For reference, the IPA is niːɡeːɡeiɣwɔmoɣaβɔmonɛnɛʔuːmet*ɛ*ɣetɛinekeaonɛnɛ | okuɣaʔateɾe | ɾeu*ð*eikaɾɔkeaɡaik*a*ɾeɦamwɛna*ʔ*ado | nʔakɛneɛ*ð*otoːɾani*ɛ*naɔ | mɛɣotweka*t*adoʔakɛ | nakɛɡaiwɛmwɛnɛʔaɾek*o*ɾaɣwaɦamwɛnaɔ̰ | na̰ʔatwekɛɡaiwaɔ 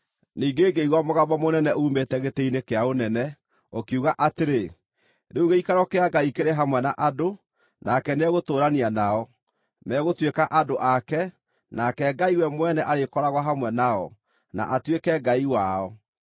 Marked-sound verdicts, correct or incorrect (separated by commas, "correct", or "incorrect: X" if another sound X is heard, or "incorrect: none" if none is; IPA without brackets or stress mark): correct, incorrect: ɣ, incorrect: e, correct, incorrect: ɣ, incorrect: a, incorrect: ʔ, incorrect: ɔ